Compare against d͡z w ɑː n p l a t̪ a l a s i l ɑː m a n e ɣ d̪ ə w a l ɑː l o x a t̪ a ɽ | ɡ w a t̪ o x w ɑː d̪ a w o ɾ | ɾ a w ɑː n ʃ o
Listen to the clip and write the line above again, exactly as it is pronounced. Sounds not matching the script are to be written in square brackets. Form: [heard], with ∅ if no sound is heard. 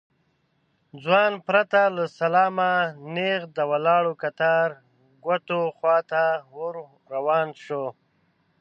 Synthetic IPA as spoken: d͡z w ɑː n p [ɾ] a t̪ a l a s [a] l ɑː m a n e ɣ d̪ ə w a l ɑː [ɽ] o [k] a t̪ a [ɾ] | ɡ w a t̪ o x w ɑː [t̪] a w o ɾ | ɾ a w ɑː n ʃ o